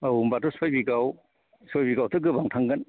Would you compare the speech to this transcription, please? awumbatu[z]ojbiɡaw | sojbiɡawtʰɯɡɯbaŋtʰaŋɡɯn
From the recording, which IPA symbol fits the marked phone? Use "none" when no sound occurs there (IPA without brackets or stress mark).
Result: s